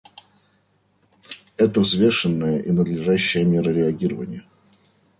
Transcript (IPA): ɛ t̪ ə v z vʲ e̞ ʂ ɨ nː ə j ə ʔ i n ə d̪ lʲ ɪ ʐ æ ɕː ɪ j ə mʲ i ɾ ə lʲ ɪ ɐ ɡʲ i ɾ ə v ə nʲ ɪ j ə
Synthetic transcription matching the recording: ɛ t̪ ə v z vʲ e̞ ʂ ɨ nː ə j ə ʔ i n ə d̪ lʲ ɪ ʐ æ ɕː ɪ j ə mʲ e ɾ ə ɾʲ ɪ ɐ ɡʲ i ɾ ə v ə nʲ ɪ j ə

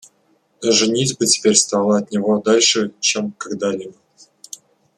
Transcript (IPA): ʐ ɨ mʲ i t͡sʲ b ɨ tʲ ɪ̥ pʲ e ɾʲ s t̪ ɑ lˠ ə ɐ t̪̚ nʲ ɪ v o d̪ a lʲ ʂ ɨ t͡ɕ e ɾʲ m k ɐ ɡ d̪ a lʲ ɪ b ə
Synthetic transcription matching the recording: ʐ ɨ nʲ i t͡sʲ b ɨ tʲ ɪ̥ pʲ e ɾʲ s t̪ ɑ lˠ ə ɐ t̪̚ nʲ ɪ v o d̪ a lʲ ʂ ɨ t͡ɕ e m k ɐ ɡ d̪ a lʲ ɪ b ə

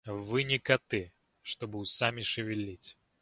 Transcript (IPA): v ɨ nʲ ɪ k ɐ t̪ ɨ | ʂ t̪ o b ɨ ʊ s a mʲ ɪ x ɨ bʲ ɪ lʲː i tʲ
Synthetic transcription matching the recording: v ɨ nʲ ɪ k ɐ t̪ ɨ | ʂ t̪ o b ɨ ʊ s a mʲ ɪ ʂ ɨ vʲ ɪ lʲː i tʲ

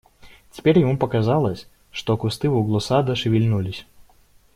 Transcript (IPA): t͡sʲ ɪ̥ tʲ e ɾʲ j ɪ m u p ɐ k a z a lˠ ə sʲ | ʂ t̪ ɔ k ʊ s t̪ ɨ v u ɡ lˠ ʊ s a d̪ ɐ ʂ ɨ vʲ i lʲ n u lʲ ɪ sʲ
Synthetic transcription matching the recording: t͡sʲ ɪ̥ pʲ e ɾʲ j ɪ m u p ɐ k a z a lˠ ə sʲ | ʂ t̪ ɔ k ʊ s t̪ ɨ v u ɡ lˠ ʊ s a d̪ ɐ ʂ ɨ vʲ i lʲ n u lʲ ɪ sʲ

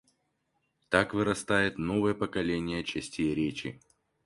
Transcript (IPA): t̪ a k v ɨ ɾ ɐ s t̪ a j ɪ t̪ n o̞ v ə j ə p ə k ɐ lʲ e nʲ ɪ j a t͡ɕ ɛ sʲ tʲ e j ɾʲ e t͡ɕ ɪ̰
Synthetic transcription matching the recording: t̪ a k v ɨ ɾ ɐ s t̪ a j ɪ t̪ n o̞ v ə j ə p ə k ɐ lʲ e nʲ ɪ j ə t͡ɕ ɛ sʲ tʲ e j ɾʲ e t͡ɕ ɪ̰

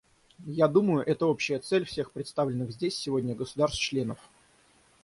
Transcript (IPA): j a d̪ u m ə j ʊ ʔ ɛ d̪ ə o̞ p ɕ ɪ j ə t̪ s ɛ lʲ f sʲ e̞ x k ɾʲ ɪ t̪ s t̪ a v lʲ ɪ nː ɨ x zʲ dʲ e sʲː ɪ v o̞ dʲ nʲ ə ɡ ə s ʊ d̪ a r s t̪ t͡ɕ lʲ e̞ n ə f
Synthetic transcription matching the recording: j a d̪ u m ə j ʊ ʔ ɛ t̪ ə o̞ p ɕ ɪ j ə t̪ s ɛ lʲ f sʲ e̞ x p ɾʲ ɪ t̪ s t̪ a v lʲ ɪ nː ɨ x zʲ dʲ e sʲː ɪ v o̞ dʲ nʲ ə ɡ ə s ʊ d̪ a r s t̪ t͡ɕ lʲ e̞ n ə f

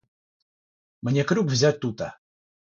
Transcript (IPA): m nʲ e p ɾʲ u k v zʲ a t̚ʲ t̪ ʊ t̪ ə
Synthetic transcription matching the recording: m nʲ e k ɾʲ u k v zʲ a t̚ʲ t̪ u t̪ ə

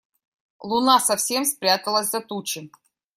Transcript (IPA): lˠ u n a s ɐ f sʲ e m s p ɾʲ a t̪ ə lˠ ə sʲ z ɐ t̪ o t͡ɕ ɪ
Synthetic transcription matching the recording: lˠ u n a s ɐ f sʲ e m s p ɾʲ a t̪ ə lˠ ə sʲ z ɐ t̪ u t͡ɕ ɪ

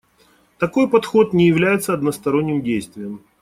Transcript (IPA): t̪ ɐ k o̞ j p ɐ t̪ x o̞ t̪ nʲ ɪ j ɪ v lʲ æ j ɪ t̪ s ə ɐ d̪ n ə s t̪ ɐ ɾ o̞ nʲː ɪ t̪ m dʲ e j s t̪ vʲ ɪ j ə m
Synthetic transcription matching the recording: t̪ ɐ k o̞ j p ɐ t̪ x o̞ t̪ nʲ ɪ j ɪ v lʲ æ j ɪ t̪ s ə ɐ d̪ n ə s t̪ ɐ ɾ o̞ nʲː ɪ m dʲ e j s t̪ vʲ ɪ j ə m

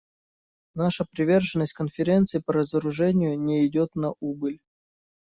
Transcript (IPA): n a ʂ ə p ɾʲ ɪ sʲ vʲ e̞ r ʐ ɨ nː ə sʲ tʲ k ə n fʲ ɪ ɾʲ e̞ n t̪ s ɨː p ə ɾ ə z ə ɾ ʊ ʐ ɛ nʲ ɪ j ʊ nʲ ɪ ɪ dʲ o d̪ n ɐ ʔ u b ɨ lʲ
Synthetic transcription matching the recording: n a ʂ ə p ɾʲ ɪ vʲ e̞ r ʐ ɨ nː ə sʲ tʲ k ə n fʲ ɪ ɾʲ e̞ n t̪ s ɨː p ə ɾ ə z ə ɾ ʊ ʐ ɛ nʲ ɪ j ʊ nʲ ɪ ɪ dʲ o t̪ n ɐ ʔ u b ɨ lʲ

